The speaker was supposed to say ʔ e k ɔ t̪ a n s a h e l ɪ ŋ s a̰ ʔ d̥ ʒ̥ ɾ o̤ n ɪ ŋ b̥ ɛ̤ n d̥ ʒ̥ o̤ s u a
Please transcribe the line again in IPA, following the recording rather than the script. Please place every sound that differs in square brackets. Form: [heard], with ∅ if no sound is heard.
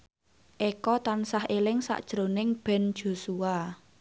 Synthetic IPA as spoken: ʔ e k ɔ t̪ a n s a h e l ɪ ŋ s a̰ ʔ d̥ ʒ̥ ɾ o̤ n ɪ ŋ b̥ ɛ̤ n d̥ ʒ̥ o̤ s u a